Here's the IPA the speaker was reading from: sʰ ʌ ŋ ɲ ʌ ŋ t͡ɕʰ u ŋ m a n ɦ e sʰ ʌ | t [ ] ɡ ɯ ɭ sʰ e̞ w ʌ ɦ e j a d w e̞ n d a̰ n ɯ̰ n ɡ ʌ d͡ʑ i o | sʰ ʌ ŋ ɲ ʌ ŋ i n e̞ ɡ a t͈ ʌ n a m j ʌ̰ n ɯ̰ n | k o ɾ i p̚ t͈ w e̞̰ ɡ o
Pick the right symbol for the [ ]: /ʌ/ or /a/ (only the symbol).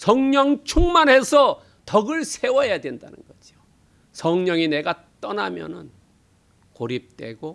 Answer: ʌ